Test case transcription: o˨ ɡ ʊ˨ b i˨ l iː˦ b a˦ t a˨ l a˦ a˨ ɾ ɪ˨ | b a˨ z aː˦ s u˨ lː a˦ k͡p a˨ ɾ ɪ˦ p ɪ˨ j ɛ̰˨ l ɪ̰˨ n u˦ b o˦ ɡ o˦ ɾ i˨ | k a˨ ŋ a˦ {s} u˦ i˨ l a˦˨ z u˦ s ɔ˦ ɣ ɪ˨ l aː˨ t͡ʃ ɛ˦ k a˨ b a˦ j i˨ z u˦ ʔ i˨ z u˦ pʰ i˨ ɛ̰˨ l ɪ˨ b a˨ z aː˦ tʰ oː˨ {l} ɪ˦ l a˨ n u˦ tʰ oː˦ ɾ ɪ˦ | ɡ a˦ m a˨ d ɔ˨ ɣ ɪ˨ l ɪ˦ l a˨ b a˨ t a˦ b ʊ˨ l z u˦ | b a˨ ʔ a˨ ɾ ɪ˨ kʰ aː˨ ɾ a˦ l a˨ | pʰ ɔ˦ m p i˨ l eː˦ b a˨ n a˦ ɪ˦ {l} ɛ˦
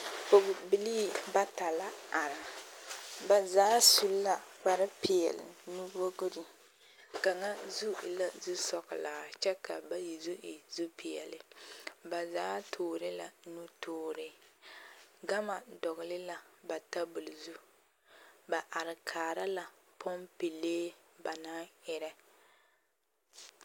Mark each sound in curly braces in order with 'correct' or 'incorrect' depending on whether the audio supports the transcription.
incorrect, incorrect, incorrect

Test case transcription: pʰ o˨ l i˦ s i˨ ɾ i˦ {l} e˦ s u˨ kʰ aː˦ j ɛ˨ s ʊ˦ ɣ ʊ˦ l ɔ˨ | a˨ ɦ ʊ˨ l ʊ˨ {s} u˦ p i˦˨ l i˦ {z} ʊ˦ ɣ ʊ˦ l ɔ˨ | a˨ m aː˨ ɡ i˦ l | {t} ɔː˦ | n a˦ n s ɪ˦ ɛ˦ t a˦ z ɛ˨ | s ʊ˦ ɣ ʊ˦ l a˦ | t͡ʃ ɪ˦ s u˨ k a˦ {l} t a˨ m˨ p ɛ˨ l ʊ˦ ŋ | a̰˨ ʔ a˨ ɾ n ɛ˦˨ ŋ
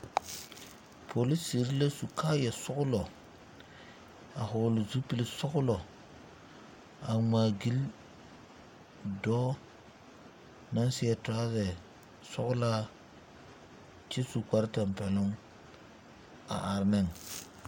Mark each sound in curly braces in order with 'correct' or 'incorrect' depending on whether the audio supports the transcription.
correct, incorrect, incorrect, incorrect, incorrect

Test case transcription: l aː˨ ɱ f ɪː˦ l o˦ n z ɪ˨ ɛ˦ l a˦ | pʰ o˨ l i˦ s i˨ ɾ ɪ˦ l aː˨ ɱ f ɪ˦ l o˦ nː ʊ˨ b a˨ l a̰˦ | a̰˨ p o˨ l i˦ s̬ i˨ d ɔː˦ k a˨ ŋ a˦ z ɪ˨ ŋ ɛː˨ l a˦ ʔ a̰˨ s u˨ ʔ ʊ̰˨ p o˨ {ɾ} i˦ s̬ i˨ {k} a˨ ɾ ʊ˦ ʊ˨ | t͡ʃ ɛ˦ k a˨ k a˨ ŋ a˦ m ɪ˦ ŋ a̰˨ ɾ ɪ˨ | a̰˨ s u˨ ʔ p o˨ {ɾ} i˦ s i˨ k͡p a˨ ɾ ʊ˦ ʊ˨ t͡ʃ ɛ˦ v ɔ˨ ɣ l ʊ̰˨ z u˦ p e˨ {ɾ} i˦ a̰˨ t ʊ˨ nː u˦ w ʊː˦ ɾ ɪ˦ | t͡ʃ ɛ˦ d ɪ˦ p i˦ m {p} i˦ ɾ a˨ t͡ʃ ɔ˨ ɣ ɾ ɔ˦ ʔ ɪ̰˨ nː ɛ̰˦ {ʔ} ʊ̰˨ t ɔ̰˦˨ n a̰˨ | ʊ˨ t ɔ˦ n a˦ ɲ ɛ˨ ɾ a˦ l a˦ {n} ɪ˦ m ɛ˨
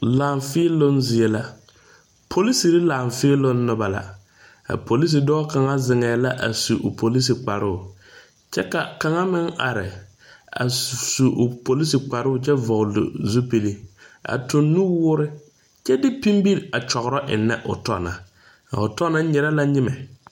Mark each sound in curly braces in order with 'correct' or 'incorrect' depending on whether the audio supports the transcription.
incorrect, incorrect, incorrect, incorrect, incorrect, correct, incorrect

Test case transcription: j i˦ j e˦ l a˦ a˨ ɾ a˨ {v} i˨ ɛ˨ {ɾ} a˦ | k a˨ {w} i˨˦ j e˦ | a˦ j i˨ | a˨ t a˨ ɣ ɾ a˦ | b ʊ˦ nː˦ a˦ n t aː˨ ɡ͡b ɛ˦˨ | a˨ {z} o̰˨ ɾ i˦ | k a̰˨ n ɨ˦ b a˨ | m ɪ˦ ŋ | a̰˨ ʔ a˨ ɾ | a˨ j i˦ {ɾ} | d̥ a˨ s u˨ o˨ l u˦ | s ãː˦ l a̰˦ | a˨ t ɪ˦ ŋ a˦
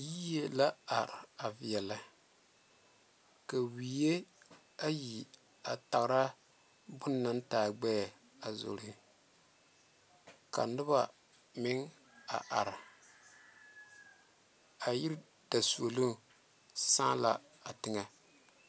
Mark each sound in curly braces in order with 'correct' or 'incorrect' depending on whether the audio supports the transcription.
correct, incorrect, correct, correct, correct

